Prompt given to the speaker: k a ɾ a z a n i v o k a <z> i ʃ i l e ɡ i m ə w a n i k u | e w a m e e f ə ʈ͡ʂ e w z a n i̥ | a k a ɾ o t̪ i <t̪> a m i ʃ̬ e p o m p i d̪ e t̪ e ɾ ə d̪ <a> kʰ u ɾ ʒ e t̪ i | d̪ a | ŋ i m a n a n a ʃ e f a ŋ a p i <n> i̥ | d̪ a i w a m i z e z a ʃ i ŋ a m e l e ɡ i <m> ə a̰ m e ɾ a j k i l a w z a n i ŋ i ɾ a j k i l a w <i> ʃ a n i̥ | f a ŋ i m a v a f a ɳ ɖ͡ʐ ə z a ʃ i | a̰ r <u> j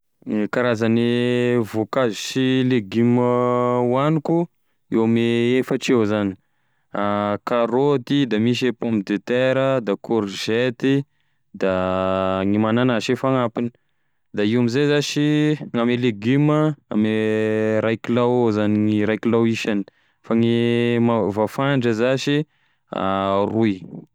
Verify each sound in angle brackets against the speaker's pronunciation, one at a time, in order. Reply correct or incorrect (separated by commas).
correct, incorrect, correct, correct, correct, correct, correct